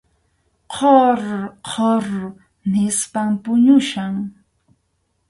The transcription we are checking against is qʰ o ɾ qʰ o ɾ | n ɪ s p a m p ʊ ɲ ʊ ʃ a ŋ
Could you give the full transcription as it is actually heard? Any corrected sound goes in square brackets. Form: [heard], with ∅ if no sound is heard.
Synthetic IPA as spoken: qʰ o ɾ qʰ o ɾ | n ɪ s p a m p ʊ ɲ ʊ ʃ a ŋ